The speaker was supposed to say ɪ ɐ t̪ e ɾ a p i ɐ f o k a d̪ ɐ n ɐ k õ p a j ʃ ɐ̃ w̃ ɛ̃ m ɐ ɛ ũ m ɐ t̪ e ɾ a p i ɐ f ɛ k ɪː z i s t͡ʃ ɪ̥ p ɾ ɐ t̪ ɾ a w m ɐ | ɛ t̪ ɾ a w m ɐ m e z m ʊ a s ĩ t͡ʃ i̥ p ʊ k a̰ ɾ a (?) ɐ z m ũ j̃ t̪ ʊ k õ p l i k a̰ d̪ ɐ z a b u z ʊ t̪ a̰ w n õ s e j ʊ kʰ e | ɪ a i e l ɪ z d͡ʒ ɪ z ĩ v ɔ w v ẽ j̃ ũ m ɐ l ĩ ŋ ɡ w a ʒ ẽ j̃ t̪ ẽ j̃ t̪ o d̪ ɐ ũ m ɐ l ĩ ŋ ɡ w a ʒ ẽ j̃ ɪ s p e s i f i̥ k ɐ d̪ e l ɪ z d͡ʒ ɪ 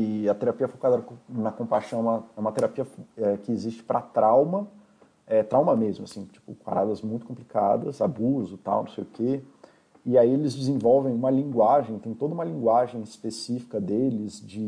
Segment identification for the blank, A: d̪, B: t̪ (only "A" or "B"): A